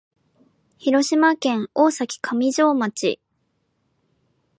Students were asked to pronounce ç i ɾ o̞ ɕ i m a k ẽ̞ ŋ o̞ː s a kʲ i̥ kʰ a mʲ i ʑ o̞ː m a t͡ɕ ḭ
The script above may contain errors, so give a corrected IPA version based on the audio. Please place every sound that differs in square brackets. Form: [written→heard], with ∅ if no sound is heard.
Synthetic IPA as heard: ç i ɾ o̞ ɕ i m a k ẽ̞ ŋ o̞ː s a kʲ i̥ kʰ a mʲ i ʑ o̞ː m a t͡ɕ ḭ